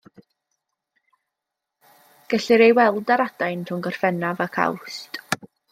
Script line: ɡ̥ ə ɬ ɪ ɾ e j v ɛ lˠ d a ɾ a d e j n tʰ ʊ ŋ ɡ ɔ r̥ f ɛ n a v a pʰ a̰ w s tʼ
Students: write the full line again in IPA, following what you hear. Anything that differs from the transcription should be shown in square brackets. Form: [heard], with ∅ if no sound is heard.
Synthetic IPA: ɡ̥ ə ɬ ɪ ɾ e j [w] ɛ lˠ d a ɾ a d [a] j n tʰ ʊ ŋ ɡ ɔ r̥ f ɛ n a v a [kʰ] a̰ w s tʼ